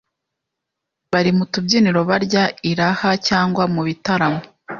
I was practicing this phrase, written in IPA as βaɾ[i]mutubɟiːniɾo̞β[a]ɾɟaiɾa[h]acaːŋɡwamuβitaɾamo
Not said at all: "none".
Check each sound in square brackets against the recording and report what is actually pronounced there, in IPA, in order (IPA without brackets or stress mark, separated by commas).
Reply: i, a, h